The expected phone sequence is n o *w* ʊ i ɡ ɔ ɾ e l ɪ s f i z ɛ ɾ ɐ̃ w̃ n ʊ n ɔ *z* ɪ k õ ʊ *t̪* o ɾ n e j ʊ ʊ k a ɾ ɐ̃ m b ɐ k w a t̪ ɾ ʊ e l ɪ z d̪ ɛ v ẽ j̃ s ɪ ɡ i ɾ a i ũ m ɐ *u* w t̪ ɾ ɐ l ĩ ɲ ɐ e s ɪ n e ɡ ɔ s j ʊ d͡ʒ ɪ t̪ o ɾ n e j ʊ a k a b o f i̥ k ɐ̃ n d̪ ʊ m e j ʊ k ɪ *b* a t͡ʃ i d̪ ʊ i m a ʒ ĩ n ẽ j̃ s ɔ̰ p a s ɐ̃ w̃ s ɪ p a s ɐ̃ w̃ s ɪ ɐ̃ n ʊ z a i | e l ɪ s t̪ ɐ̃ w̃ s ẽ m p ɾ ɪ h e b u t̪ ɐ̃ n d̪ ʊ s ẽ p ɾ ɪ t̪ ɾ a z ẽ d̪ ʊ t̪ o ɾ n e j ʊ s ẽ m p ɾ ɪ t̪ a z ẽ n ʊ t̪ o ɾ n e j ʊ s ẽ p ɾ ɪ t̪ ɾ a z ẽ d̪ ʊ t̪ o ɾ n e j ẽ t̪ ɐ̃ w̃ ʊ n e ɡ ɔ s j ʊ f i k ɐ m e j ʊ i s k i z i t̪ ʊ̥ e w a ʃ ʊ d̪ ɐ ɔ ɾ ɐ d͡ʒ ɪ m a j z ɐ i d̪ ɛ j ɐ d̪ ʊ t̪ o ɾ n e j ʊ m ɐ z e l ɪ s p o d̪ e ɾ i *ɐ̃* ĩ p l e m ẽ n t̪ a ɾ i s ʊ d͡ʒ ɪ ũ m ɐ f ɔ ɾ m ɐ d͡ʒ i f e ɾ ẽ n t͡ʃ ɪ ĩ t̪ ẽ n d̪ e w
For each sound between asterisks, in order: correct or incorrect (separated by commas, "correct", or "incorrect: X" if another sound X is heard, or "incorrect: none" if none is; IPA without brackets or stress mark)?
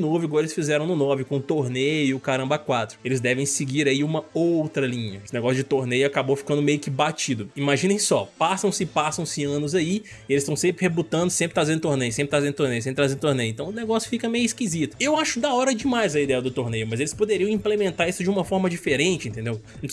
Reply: incorrect: v, incorrect: v, correct, incorrect: o, correct, correct